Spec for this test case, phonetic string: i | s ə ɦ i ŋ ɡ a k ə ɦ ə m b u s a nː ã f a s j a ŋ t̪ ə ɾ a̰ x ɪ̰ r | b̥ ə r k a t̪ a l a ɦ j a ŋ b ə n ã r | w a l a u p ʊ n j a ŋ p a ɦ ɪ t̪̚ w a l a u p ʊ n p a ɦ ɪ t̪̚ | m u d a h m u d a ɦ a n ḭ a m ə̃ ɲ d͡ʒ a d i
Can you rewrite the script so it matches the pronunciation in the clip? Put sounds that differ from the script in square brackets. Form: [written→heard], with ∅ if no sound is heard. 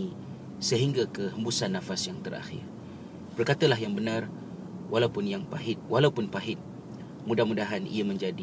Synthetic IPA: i | s ə ɦ i ŋ ɡ a k ə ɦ ə m b u s a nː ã f a s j a ŋ t̪ ə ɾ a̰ x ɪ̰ r | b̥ ə r k a t̪ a l a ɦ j a ŋ b ə n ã r | w a l a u p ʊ n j a ŋ p a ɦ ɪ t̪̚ w a l a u p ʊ n p a ɦ ɪ t̪̚ | m u d a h m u d a ɦ a n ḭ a m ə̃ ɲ d͡ʒ a d i